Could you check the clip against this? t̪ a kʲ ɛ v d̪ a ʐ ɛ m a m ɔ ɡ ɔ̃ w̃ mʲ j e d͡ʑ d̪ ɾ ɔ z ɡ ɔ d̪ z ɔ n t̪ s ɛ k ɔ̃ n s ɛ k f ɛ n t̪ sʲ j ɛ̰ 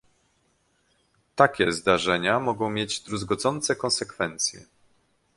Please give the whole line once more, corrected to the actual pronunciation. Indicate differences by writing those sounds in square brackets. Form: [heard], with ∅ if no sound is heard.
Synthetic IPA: t̪ a kʲ ɛ [z] d̪ a ʐ ɛ [ɲ] a m ɔ ɡ ɔ̃ w̃ mʲ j e d͡ʑ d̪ ɾ [u] z ɡ ɔ d̪ z ɔ n t̪ s ɛ k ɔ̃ n s ɛ k f ɛ n t̪ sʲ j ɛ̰